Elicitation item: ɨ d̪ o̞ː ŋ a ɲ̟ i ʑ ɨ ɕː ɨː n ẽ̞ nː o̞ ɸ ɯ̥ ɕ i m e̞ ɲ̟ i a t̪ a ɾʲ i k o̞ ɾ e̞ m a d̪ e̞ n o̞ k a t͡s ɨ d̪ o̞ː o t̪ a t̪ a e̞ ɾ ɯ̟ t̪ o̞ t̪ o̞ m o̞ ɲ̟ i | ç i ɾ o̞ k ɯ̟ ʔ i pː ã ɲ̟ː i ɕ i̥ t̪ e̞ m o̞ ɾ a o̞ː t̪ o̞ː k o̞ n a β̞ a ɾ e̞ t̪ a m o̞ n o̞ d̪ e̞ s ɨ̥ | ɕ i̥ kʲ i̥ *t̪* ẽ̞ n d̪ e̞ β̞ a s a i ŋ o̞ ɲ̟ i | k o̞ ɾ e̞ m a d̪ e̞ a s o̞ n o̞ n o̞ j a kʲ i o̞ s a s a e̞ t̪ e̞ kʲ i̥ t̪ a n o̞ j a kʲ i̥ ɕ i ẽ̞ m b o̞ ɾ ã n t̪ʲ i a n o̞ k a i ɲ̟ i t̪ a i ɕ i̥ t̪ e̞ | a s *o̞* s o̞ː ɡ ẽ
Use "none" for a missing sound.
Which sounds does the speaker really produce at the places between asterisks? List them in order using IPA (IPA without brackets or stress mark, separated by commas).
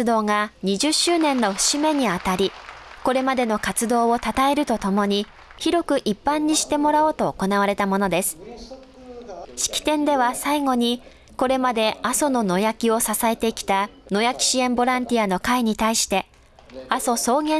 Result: t̪, o̞